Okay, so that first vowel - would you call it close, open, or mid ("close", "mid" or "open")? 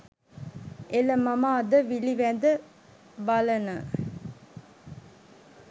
mid